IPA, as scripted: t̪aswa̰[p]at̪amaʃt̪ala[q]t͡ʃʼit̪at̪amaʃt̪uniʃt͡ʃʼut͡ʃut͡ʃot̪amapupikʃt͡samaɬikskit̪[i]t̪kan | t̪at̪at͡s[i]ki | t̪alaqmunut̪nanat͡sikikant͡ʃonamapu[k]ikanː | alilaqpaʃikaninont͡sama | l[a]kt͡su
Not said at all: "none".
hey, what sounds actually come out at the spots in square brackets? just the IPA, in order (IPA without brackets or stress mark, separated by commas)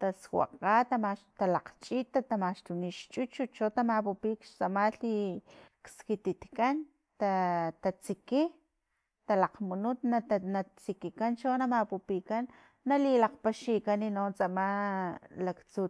q, q, i, i, p, a